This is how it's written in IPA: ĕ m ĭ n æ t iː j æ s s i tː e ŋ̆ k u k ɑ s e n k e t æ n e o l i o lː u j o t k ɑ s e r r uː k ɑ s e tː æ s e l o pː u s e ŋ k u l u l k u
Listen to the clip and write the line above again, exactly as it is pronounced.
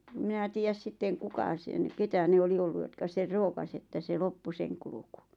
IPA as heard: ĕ m ĭ n æ t iː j æ s s i tː e ŋ̆ k u k ɑ s e n k e t æ n e o l i o lː u j o t k ɑ s e r r oː k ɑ s e tː æ s e l o pː u s e ŋ k u l u k u